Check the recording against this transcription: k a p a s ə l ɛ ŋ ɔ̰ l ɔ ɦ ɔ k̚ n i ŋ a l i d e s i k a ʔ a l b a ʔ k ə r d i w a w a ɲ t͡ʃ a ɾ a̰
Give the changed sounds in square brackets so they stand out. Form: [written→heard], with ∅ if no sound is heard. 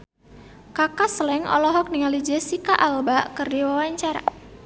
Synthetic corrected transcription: k a [p→k] a s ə l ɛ ŋ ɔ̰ l ɔ ɦ ɔ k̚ n i ŋ a l i [d→d͡ʒ] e s i k a ʔ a l b a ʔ k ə r d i w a w a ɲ t͡ʃ a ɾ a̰